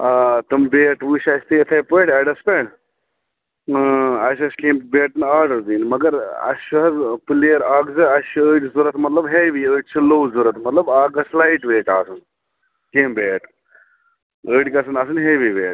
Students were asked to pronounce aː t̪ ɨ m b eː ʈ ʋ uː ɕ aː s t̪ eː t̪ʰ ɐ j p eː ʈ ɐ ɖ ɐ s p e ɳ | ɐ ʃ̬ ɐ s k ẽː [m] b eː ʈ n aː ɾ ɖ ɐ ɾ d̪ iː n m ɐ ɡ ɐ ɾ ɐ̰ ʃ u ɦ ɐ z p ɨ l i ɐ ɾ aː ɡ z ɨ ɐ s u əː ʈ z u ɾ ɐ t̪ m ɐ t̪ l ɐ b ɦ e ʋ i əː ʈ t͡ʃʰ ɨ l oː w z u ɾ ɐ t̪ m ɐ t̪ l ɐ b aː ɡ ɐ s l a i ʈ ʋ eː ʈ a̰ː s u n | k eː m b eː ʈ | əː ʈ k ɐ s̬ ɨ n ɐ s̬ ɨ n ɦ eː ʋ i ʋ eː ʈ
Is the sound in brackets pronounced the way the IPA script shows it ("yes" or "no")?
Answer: yes